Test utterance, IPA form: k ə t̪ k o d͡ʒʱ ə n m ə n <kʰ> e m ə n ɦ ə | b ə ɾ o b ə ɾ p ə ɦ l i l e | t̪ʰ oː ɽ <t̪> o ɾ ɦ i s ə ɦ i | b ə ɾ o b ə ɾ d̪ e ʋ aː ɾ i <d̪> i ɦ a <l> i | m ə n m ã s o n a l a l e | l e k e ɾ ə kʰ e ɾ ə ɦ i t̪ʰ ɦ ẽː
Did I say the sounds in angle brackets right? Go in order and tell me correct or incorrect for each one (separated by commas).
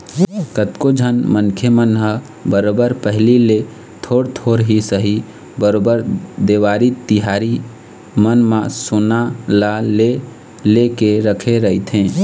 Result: correct, incorrect, incorrect, incorrect